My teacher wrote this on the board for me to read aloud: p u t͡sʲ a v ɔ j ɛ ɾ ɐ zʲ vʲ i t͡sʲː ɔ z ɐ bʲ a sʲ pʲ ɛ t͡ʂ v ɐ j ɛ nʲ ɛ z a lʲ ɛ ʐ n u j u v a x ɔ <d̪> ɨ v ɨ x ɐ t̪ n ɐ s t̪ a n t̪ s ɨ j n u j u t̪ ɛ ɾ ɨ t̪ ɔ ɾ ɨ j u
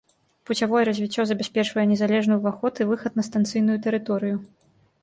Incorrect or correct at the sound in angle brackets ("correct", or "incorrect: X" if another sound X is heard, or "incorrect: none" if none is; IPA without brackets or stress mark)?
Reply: incorrect: t̪